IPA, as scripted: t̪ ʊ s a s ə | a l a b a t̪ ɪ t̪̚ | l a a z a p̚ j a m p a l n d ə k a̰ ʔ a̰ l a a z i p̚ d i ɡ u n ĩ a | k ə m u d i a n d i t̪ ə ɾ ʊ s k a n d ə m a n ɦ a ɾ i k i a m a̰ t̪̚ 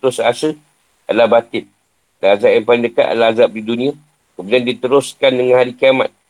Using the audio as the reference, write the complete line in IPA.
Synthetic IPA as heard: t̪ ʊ s a s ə | a l a b a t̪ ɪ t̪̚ | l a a z a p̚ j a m p a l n d ə k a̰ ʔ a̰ l a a z a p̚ d i d u n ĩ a | k ə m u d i a n d i t̪ ə ɾ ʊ s k a n d ə ŋ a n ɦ a ɾ i k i a m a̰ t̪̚